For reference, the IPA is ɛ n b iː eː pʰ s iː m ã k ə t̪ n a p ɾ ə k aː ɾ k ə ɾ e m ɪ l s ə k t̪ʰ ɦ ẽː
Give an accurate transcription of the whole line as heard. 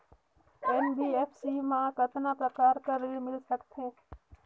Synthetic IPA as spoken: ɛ n b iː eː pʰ s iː m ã k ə t̪ n a p ɾ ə k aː ɾ k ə ɾ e m ɪ l s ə k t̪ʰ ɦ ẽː